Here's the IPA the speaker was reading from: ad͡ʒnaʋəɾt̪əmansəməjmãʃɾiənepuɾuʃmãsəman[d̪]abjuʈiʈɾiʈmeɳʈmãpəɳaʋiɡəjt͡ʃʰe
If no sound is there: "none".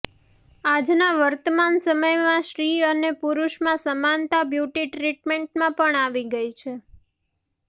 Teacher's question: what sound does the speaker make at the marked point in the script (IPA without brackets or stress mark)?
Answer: t̪